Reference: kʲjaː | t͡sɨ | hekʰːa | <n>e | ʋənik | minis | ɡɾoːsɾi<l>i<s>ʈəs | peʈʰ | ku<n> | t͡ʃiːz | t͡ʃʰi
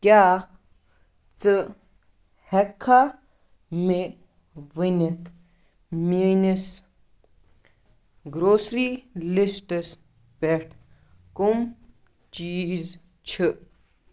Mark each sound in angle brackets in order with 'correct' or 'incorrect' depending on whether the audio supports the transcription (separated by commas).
incorrect, correct, correct, incorrect